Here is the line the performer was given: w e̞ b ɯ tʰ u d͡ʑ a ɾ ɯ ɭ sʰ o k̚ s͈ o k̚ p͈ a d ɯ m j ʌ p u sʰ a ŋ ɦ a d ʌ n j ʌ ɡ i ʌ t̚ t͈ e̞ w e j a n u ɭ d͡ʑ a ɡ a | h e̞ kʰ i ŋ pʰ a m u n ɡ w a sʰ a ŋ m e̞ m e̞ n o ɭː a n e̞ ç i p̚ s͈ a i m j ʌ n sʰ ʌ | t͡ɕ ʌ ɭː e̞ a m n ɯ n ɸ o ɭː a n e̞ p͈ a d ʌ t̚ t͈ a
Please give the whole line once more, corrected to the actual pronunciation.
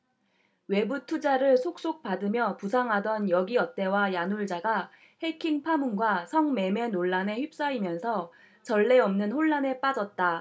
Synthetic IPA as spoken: w e̞ b u tʰ u d͡ʑ a ɾ ɯ ɭ sʰ o k̚ s͈ o k̚ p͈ a d ɯ m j ʌ p u sʰ a ŋ ɦ a d ʌ n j ʌ ɡ i ʌ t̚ t͈ e̞ w a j a n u ɭ d͡ʑ a ɡ a | h e̞ kʰ i ŋ pʰ a m u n ɡ w a sʰ ʌ ŋ m e̞ m e̞ n o ɭː a n e̞ ç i p̚ s͈ a i m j ʌ n sʰ ʌ | t͡ɕ ʌ ɭː e̞ ʌ m n ɯ n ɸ o ɭː a n e̞ p͈ a d͡ʑ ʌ t̚ t͈ a